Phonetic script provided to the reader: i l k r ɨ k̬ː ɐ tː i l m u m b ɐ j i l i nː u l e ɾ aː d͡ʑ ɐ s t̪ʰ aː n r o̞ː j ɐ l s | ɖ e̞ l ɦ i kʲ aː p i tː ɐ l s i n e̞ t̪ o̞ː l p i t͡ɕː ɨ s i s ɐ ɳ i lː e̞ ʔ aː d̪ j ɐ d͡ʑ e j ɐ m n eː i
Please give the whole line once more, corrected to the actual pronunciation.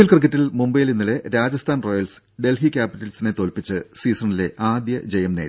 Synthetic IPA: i l k r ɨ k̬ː ɐ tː i l m u m b ɐ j i l i nː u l e ɾ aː d͡ʑ ɐ s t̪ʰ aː n r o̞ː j ɐ l s | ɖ e̞ l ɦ i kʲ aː p i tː ɐ l s i n e̞ t̪ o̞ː l p i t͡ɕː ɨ s iː s ɐ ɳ i l e̞ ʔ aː d̪ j ɐ d͡ʑ e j ɐ m n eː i